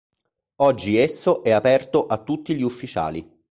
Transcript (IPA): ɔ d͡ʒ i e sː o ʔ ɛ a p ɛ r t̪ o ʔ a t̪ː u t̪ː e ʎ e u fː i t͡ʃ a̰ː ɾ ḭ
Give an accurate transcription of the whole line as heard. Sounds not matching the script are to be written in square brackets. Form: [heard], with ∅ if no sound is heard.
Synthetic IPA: ɔ [d͡ʒː] i e sː o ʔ ɛ a p ɛ r t̪ o ʔ a t̪ː u t̪ː [i] ʎ [i] u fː i t͡ʃ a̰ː [l] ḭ